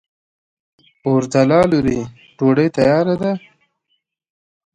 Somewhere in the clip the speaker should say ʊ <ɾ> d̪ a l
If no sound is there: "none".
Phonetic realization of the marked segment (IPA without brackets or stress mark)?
ɾ